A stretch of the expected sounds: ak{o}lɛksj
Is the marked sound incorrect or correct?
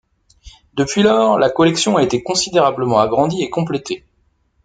incorrect: ɔ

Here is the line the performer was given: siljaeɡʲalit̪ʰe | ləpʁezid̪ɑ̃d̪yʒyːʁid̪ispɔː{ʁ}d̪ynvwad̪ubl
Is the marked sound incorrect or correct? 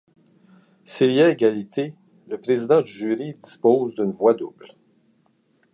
incorrect: z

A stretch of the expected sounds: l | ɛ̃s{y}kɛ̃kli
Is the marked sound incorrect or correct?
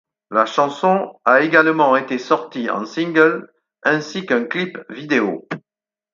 incorrect: i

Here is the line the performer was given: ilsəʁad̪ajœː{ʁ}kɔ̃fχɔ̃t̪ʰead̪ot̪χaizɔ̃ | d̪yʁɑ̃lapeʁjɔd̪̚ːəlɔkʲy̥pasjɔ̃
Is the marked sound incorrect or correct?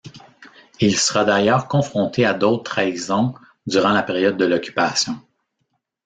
correct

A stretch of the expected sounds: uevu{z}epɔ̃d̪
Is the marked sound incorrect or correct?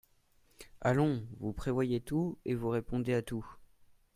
incorrect: ʁ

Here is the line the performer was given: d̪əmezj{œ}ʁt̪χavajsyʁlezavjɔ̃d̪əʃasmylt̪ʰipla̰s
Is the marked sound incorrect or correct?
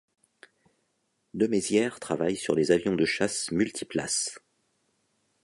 incorrect: ɛ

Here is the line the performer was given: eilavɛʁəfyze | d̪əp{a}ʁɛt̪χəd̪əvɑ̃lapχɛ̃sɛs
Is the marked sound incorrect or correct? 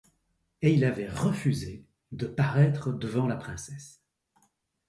correct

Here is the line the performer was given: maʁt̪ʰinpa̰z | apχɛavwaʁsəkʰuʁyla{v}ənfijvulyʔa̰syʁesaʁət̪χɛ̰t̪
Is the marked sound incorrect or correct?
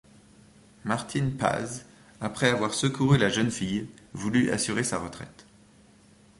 incorrect: ʒ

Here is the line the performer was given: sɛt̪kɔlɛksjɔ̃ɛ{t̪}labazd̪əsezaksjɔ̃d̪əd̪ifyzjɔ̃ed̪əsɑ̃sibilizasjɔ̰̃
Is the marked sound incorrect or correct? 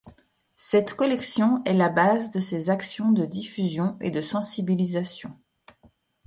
incorrect: none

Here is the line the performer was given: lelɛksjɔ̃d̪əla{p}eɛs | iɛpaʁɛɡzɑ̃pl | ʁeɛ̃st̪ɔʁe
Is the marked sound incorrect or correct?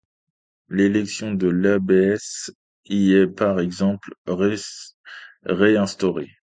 incorrect: b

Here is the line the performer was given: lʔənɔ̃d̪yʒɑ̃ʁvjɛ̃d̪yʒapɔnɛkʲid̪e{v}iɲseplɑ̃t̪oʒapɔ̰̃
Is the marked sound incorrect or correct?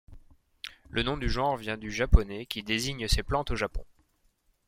incorrect: z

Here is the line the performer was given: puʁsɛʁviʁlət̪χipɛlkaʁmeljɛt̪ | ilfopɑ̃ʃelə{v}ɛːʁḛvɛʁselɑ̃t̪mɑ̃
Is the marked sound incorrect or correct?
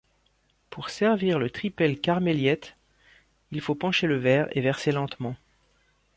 correct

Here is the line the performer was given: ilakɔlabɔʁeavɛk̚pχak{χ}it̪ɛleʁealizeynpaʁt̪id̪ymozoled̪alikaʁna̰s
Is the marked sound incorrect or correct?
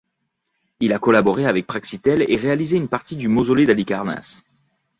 incorrect: s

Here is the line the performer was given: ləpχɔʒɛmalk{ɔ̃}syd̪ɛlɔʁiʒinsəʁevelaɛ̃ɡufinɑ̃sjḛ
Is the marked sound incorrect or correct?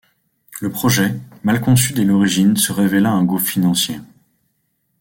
correct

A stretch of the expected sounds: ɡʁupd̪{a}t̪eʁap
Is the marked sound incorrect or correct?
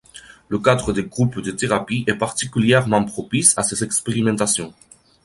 incorrect: ə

